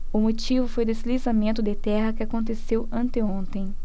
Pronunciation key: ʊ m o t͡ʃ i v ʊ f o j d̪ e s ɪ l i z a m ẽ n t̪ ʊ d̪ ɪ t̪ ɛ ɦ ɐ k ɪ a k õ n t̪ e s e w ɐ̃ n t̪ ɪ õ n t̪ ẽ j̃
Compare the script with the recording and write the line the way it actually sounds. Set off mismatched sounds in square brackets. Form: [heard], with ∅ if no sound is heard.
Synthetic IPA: ʊ m o t͡ʃ i v ʊ f o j d̪ e s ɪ l i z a m ẽ n t̪ ʊ d̪ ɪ t̪ ɛ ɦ ɐ k ɪ a k õ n t̪ e s e w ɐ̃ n t̪ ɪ õ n t̪ ẽ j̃